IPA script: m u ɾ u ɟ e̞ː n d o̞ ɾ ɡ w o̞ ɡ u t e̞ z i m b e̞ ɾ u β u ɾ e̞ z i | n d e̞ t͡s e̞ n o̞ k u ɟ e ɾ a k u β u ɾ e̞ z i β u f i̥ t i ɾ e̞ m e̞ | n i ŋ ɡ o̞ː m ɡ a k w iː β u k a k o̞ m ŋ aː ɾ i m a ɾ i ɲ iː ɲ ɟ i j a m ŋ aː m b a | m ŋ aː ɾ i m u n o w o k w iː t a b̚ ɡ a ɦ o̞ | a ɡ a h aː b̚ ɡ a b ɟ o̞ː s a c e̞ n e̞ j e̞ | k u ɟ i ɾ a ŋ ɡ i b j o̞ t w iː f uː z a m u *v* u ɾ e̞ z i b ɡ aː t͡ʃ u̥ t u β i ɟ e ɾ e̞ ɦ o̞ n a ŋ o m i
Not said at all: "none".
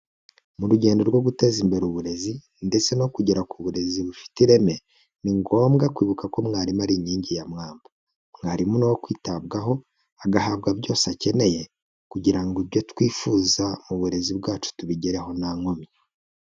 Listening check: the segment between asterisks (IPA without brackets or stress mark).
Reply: β